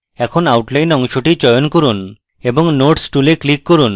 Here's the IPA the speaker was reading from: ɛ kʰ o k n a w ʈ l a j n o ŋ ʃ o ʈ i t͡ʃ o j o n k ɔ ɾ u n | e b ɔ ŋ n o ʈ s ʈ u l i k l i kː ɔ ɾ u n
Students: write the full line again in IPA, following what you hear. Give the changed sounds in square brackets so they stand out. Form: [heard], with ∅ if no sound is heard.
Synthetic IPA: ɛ kʰ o [∅] n a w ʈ l a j n [ɔ] ŋ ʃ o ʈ i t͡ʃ [ɔ] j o n k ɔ ɾ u n | e b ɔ ŋ n o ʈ s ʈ u l [e] k l i kː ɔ ɾ u n

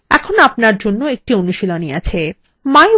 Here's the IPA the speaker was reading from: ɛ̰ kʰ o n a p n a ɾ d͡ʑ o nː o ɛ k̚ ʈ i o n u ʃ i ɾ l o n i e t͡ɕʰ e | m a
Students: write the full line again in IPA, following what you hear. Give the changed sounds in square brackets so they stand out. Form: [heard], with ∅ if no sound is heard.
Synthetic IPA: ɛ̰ kʰ o n a p n a ɾ d͡ʑ o nː o [e] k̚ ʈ i o n u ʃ i [∅] l o n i [a] t͡ɕʰ e | m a

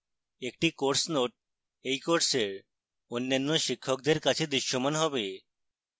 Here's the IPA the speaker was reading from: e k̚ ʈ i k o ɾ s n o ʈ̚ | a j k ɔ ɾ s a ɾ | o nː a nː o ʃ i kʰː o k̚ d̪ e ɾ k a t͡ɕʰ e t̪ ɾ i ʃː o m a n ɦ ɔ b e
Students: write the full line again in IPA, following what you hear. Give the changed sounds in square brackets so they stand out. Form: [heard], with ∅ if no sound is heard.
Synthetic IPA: e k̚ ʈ i k o ɾ s n o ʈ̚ | [e] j k [o] ɾ s [e] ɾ | o nː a nː o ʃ i kʰː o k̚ d̪ e ɾ k a t͡ɕʰ e [d̪] ɾ i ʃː o m a n ɦ ɔ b e

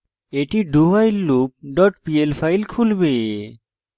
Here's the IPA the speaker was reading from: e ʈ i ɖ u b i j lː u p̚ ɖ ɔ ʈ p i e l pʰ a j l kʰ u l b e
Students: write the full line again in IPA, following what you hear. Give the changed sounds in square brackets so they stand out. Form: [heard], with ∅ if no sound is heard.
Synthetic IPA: e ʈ i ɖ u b [a] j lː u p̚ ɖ ɔ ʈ p i e l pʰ a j l kʰ u l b e

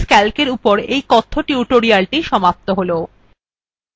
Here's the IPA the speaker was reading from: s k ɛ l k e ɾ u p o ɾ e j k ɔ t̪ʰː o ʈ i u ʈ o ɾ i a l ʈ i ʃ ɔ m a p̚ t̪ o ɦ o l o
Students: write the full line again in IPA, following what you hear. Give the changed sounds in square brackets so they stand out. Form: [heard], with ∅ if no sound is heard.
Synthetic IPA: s k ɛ l k e ɾ u p o ɾ e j k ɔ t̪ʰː o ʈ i u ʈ o ɾ i a l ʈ i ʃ ɔ m a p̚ t̪ o ɦ o l o

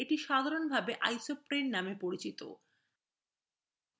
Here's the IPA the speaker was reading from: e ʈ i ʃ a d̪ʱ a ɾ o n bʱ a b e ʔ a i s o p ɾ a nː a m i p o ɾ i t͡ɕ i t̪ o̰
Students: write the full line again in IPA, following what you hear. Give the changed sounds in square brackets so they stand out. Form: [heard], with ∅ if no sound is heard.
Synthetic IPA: e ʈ i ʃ a d̪ʱ a ɾ o n bʱ a b e ʔ a [j] s o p ɾ [e] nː a m [e] p o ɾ i t͡ɕ i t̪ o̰

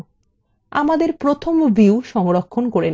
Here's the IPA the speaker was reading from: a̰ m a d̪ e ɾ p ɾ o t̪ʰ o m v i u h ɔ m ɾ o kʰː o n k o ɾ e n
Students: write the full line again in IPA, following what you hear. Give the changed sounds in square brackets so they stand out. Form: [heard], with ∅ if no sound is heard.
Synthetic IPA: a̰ m a d̪ e ɾ p ɾ o t̪ʰ o m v i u [ʃ] ɔ [ŋ] ɾ o kʰː o n k o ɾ e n

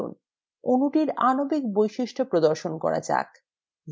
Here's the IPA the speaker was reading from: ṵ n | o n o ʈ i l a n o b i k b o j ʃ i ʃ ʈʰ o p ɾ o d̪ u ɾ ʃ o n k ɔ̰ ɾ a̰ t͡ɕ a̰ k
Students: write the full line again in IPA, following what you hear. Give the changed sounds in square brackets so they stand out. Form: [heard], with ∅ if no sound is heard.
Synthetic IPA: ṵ n | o n [u] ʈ i [ɾ] a n o b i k b o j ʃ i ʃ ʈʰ o p ɾ o d̪ [o] ɾ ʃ o n k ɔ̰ ɾ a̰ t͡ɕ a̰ k

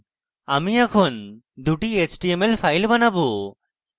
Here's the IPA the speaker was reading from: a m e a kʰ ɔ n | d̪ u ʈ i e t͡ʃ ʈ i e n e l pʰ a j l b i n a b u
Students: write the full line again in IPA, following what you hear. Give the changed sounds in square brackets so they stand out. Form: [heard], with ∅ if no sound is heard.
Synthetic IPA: a m [i] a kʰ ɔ n | d̪ u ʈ i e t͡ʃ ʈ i e [m] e l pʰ a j l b [a] n a b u

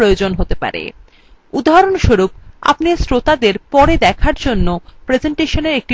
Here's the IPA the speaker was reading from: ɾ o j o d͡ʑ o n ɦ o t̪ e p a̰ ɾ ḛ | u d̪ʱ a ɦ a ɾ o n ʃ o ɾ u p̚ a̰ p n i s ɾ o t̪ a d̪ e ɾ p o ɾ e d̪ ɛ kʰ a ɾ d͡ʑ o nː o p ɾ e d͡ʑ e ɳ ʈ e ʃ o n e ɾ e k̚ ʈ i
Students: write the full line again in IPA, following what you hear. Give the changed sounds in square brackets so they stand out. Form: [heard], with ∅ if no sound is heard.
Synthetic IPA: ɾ o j o d͡ʑ o n ɦ o t̪ e p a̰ ɾ ḛ | u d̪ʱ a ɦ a ɾ o n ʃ o ɾ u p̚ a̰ p n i s ɾ o t̪ a d̪ e ɾ p [ɔ] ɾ e d̪ ɛ kʰ a ɾ d͡ʑ o nː o p ɾ e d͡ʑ e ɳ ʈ e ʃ o n e ɾ e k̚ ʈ i

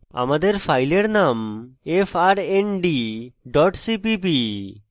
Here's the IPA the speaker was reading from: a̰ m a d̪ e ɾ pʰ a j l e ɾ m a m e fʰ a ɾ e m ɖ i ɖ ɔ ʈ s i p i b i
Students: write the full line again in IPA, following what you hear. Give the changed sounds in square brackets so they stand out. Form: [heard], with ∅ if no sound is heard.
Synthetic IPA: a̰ m a d̪ e ɾ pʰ a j l e ɾ [n] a m e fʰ a ɾ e [n] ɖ i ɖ ɔ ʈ s i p i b i

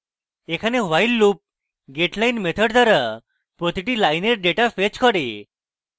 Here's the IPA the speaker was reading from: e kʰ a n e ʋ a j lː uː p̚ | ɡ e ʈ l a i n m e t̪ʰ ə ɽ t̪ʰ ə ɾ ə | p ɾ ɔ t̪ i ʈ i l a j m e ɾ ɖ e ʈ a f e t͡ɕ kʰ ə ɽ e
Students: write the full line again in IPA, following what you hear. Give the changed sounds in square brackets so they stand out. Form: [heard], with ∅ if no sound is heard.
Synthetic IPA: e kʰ a n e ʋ a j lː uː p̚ | ɡ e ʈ l a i n m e t̪ʰ ə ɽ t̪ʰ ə ɾ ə | p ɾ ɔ t̪ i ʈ i l a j [n] e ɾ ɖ e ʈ a f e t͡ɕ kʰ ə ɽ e

